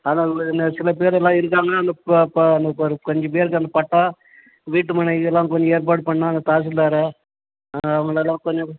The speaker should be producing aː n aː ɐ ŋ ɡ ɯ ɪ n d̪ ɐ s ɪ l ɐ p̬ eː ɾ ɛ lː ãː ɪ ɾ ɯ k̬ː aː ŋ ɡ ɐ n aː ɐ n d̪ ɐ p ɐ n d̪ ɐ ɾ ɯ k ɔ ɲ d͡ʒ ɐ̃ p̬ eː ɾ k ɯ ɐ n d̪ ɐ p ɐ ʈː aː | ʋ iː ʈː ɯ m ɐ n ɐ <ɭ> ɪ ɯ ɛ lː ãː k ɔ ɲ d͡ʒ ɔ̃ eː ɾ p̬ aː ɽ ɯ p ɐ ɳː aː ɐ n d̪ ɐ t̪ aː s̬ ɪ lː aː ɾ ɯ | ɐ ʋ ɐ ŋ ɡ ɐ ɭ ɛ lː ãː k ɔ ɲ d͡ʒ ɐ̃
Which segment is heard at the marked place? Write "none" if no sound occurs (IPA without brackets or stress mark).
none